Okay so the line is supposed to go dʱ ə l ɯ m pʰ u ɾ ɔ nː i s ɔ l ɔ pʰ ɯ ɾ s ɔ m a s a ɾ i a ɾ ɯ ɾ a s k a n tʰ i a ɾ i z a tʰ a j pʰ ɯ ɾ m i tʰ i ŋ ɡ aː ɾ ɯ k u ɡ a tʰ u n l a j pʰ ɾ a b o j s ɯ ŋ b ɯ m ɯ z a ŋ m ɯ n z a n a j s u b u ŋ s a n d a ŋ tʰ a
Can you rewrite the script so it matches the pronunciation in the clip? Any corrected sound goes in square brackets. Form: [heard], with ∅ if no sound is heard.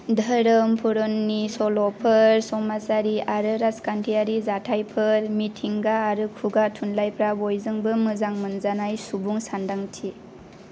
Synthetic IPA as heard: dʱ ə [ɾ] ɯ m pʰ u ɾ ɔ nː i s ɔ l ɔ pʰ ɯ ɾ s ɔ m a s a ɾ i a ɾ ɯ ɾ a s k a n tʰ i a ɾ i z a tʰ a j pʰ ɯ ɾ m i tʰ i ŋ ɡ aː ɾ ɯ [kʰ] u ɡ a tʰ u n l a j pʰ ɾ a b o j [z] ɯ ŋ b ɯ m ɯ z a ŋ m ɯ n z a n a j s u b u ŋ s a n d a ŋ tʰ [i]